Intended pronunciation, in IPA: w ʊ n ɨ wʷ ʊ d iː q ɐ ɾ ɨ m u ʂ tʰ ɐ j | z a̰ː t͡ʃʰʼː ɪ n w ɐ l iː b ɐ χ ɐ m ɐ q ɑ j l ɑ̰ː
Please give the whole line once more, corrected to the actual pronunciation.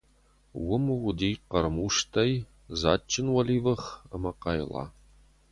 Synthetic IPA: w ʊ m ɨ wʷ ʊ d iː q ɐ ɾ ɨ m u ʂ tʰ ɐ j | z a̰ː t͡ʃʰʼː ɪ n w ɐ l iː v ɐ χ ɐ m ɐ q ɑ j l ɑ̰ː